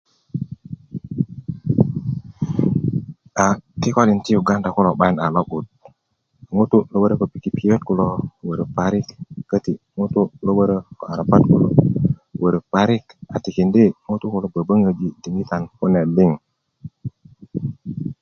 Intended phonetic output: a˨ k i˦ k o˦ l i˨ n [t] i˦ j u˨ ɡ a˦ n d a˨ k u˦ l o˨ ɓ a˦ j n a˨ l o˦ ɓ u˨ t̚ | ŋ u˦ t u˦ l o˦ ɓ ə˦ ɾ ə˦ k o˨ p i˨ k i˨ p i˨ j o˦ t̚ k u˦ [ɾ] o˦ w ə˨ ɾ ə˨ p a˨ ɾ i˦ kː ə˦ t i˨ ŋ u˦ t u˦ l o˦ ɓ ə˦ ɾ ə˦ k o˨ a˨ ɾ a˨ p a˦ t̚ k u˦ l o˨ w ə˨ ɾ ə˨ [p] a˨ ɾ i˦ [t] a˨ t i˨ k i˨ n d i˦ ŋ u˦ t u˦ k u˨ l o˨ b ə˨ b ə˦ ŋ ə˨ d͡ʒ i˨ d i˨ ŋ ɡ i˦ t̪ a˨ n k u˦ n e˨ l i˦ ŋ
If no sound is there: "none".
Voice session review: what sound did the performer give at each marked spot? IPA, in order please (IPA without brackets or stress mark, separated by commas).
t, l, p, k